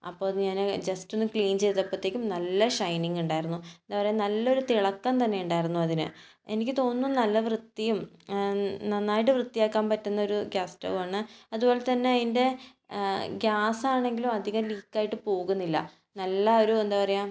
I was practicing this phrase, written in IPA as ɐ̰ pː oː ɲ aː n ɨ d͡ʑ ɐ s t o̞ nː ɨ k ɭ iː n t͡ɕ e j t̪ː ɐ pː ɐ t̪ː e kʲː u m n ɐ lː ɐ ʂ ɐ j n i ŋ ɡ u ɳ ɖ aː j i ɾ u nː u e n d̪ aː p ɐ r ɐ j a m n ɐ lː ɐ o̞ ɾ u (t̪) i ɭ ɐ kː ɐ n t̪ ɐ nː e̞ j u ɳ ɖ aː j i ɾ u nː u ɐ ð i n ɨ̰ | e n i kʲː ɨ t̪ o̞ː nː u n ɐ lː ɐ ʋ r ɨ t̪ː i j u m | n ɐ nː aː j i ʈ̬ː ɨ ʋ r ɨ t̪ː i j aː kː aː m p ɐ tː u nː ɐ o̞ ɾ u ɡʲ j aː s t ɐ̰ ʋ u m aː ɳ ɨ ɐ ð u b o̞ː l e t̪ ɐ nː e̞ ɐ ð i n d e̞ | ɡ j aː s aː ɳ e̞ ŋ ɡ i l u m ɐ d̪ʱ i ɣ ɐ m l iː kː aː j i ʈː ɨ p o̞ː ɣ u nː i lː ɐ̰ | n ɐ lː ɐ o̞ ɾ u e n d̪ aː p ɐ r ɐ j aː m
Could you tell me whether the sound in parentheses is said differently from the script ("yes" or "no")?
no